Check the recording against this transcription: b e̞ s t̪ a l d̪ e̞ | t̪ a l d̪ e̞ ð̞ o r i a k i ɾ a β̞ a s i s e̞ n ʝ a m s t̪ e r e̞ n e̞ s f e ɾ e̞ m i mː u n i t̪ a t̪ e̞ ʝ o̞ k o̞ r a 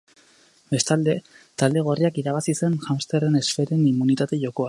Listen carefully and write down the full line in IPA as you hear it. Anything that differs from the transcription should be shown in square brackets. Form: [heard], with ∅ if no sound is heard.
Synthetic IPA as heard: b e̞ s t̪ a l d̪ e̞ | t̪ a l d̪ e̞ [ɣ̞] o r i a k i ɾ a β̞ a s i s e̞ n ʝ a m s t̪ e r e̞ n e̞ s f e ɾ e̞ [n] i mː u n i t̪ a t̪ e̞ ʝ o̞ k o̞ [∅] a